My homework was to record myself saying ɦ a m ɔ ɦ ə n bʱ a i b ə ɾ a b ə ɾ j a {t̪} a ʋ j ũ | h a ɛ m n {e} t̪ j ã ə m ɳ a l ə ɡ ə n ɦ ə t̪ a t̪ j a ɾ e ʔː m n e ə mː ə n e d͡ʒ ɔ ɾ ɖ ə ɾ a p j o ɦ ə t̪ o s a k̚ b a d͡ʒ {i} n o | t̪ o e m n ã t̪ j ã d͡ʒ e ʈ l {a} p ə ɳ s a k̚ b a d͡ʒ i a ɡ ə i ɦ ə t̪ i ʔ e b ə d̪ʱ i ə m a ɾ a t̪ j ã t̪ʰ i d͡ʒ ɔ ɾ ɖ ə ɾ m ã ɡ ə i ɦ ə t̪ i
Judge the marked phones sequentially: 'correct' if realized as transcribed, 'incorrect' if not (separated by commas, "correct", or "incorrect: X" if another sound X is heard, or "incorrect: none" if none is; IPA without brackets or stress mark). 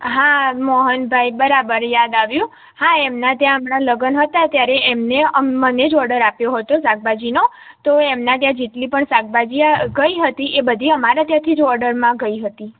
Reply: incorrect: d̪, incorrect: a, correct, incorrect: i